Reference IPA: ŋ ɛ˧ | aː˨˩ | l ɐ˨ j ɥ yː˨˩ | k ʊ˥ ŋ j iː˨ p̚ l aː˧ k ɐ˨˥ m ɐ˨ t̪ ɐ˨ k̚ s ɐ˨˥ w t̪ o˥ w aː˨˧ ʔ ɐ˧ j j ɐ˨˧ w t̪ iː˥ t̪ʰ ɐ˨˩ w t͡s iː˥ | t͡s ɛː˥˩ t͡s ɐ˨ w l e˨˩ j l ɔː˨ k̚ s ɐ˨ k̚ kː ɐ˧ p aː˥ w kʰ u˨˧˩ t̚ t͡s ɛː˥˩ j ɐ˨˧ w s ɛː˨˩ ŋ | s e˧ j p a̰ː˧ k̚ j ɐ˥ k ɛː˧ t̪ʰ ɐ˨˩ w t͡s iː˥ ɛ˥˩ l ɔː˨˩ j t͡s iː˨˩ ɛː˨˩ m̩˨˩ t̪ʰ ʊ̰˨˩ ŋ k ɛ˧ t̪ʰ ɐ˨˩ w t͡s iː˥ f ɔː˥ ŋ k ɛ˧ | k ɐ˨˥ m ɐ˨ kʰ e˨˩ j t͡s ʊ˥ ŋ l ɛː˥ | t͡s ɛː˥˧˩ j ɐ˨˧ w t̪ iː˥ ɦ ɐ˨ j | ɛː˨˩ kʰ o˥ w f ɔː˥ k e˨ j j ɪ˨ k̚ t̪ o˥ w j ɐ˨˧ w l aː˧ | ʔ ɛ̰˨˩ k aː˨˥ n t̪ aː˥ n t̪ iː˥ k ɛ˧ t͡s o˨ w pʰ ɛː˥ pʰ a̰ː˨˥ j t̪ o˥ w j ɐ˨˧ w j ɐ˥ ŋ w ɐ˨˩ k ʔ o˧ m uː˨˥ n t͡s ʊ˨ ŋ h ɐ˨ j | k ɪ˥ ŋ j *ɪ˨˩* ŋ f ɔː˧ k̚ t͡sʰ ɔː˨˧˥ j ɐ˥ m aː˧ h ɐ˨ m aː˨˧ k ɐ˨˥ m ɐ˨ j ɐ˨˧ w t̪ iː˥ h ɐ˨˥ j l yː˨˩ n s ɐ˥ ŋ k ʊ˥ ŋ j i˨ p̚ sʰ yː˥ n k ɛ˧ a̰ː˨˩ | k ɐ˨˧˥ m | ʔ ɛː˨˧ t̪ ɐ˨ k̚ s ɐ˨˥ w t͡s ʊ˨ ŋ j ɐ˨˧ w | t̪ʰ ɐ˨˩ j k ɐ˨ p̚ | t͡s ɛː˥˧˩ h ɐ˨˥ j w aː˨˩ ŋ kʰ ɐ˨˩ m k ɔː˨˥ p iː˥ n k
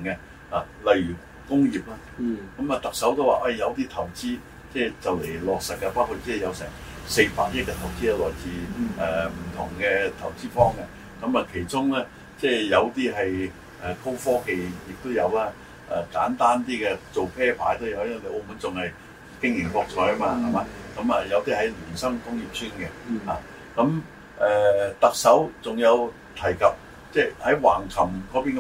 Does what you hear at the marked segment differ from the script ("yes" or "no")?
no